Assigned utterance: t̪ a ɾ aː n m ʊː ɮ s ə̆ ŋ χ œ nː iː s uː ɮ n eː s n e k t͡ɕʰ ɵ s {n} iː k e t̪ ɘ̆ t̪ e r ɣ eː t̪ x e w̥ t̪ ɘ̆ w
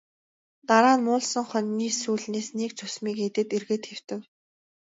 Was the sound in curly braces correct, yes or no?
no